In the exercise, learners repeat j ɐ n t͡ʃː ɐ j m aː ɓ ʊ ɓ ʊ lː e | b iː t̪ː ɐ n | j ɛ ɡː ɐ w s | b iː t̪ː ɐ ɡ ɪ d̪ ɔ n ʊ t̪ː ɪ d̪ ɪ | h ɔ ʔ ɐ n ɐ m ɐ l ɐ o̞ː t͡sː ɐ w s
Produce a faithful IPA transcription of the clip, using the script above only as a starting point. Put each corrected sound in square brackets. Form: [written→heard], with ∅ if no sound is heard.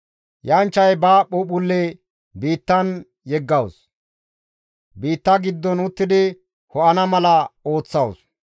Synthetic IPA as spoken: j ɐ n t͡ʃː ɐ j [m→b] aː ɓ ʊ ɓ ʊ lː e | b iː t̪ː ɐ n | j ɛ ɡː ɐ w s | b iː t̪ː ɐ ɡ ɪ [d̪→d̪ː] ɔ n ʊ t̪ː ɪ d̪ ɪ | h ɔ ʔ ɐ n ɐ m ɐ l ɐ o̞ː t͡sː ɐ w s

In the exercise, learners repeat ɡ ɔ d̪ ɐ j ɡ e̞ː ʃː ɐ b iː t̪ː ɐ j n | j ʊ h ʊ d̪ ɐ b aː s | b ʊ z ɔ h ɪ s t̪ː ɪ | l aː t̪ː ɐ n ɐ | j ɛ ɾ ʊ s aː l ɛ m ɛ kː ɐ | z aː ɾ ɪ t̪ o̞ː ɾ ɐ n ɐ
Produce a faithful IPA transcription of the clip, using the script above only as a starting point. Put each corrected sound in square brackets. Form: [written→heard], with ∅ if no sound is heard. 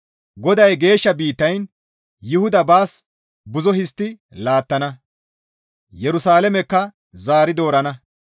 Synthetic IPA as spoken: ɡ ɔ d̪ ɐ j ɡ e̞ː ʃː ɐ b iː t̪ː ɐ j n | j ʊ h ʊ d̪ ɐ b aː s | b ʊ z ɔ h ɪ s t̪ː ɪ | l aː t̪ː ɐ n ɐ | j ɛ ɾ ʊ s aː l ɛ m ɛ kː ɐ | z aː ɾ ɪ [t̪→d̪] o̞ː ɾ ɐ n ɐ

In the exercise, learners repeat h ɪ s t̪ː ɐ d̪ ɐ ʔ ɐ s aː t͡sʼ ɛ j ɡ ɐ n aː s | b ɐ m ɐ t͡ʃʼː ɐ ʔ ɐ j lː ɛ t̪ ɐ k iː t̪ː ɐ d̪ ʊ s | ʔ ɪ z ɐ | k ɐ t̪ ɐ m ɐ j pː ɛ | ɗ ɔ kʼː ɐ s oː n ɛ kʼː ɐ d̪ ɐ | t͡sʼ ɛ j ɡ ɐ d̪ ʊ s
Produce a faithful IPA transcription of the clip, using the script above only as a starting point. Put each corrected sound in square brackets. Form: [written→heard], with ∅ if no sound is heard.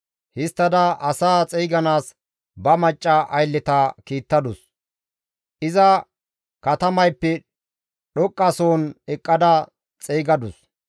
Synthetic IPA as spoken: h ɪ s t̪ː ɐ d̪ ɐ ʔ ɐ s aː t͡sʼ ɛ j ɡ ɐ n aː s | b ɐ m ɐ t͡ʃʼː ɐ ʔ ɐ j lː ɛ t̪ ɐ k iː t̪ː ɐ d̪ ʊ s | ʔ ɪ z ɐ | k ɐ t̪ ɐ m ɐ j pː ɛ | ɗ ɔ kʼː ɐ s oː n ɛ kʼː ɐ d̪ ɐ | t͡sʼ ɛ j ɡ ɐ d̪ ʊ s

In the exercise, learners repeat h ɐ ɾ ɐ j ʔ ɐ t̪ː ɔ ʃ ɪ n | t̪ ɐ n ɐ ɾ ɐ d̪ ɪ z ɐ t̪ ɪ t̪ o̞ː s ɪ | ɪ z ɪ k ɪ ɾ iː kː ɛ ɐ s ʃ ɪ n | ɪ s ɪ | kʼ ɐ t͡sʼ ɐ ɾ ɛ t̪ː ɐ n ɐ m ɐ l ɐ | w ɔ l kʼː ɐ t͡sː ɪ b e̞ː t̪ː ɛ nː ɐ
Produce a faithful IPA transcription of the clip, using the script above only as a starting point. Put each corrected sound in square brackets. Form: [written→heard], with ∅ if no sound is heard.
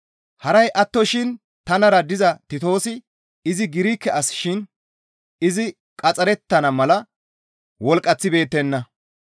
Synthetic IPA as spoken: h ɐ ɾ ɐ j ʔ ɐ t̪ː ɔ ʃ ɪ n | t̪ ɐ n ɐ ɾ ɐ d̪ ɪ z ɐ t̪ ɪ t̪ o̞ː s ɪ | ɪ z ɪ [k→ɡ] ɪ ɾ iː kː ɛ ɐ s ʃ ɪ n | ɪ [s→z] ɪ | kʼ ɐ t͡sʼ ɐ ɾ ɛ t̪ː ɐ n ɐ m ɐ l ɐ | w ɔ l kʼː ɐ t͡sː ɪ b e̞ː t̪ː ɛ nː ɐ

